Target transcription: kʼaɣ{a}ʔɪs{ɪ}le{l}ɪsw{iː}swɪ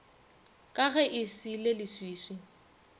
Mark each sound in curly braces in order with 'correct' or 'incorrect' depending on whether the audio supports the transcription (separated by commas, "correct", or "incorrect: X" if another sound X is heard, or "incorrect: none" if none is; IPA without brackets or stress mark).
incorrect: ɛ, incorrect: i, correct, correct